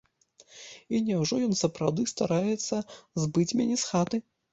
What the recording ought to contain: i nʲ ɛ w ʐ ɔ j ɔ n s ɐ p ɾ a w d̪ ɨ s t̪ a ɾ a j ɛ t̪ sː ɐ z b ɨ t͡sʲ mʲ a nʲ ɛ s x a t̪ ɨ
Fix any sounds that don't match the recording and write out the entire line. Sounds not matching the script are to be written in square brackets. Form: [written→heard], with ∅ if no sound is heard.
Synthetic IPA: i nʲ ɛ w ʐ ɔ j ɔ n s ɐ p ɾ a w d̪ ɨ s t̪ a ɾ a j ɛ t̪ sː ɐ z b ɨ t͡sʲ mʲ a nʲ ɛ s x a t̪ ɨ